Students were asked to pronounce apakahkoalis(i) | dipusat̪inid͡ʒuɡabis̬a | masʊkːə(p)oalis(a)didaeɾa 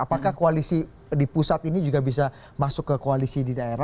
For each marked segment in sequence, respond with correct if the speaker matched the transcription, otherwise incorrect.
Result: correct, incorrect, incorrect

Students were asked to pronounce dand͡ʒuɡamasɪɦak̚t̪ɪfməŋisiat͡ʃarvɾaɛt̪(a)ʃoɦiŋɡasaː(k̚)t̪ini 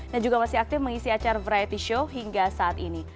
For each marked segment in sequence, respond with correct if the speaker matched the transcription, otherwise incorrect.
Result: incorrect, incorrect

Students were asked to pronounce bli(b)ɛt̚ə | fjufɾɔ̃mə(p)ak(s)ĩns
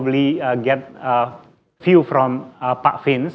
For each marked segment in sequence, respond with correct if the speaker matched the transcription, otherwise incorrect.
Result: incorrect, correct, incorrect

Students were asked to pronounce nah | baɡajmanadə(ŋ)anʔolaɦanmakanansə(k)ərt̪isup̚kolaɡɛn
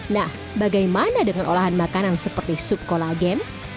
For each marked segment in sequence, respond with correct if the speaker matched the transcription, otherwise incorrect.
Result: correct, incorrect

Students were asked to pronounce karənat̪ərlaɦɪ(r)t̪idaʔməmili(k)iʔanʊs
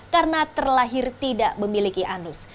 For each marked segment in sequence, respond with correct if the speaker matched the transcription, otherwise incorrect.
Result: correct, correct

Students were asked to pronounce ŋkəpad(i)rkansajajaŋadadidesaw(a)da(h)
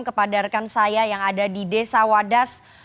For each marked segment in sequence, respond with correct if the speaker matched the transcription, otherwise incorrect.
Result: incorrect, correct, incorrect

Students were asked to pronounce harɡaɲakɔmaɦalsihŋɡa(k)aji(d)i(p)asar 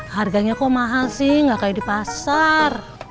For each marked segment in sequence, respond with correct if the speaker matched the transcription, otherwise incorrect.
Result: correct, correct, correct

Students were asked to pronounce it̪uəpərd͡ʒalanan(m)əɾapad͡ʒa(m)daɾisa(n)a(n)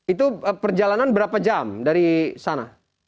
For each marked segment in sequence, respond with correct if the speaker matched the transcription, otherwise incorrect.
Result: incorrect, correct, correct, incorrect

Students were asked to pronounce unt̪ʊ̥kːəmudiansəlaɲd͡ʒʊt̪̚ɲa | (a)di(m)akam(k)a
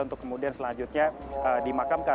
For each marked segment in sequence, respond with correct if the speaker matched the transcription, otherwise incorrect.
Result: incorrect, correct, correct

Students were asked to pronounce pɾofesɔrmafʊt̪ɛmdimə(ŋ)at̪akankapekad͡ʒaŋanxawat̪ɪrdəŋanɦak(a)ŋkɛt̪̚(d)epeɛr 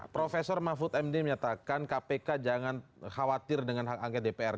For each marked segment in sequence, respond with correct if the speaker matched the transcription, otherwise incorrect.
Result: incorrect, correct, correct

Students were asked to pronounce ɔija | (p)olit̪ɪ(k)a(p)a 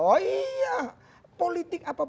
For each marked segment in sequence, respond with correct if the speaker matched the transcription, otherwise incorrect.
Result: correct, correct, correct

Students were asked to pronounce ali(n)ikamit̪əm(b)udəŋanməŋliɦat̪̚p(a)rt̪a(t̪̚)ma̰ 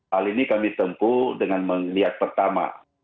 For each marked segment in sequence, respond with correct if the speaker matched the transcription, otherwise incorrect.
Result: correct, incorrect, incorrect, incorrect

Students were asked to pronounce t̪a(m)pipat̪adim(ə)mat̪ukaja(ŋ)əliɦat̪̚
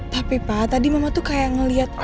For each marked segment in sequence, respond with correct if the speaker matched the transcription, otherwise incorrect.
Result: incorrect, incorrect, correct

